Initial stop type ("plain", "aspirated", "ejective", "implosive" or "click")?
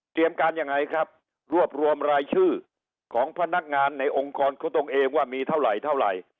plain